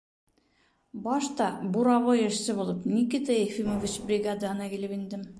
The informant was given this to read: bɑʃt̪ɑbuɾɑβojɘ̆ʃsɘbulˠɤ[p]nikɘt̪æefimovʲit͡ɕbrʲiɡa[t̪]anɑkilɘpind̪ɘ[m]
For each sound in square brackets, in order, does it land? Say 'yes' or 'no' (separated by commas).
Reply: yes, no, yes